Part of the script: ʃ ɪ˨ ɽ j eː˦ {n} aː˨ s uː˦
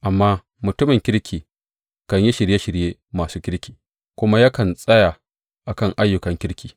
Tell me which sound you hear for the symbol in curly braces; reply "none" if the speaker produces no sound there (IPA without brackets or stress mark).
m